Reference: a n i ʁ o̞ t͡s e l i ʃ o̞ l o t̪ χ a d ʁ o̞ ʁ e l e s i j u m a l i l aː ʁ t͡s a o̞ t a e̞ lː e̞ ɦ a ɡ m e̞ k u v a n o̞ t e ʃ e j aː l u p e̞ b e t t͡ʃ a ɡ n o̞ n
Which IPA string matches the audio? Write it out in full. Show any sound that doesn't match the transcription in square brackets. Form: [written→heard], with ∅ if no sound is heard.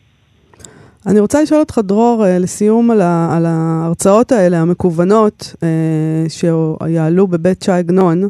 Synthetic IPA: a n i ʁ o̞ t͡s [e→a] l i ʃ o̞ l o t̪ χ a d ʁ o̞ ʁ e l e s i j u m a l [i→a] l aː ʁ t͡s a o̞ t a e̞ [lː→l] e̞ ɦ a [ɡ→∅] m e̞ k u v a n o̞ t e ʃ e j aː l u [p→b] e̞ b e t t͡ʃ a ɡ n o̞ n